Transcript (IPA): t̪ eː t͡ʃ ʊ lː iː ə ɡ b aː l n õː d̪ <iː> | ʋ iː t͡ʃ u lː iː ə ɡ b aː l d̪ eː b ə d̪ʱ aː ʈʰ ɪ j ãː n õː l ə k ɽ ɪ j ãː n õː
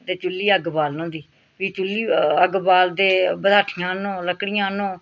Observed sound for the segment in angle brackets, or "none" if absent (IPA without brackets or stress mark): iː